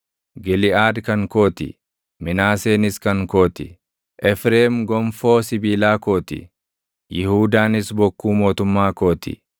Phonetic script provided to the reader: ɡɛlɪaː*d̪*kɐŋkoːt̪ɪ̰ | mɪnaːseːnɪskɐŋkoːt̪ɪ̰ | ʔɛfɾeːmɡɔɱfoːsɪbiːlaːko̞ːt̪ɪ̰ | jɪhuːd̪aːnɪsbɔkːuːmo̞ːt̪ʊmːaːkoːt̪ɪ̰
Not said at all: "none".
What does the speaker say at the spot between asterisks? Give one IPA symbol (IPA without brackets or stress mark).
d̪